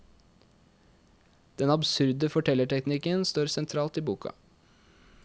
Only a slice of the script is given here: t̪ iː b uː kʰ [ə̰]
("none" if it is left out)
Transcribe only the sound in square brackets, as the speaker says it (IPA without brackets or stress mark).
ɑ̰